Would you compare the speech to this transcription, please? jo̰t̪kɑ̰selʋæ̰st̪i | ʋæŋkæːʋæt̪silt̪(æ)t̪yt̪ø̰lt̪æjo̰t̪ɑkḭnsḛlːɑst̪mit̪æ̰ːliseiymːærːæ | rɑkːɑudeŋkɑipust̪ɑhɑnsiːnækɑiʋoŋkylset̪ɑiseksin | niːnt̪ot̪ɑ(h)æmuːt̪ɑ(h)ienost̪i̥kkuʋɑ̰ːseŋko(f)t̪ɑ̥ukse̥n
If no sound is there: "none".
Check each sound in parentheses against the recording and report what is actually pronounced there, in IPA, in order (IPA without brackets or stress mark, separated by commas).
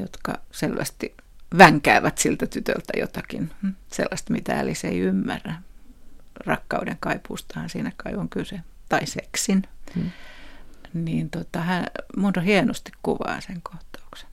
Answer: æ, h, h, h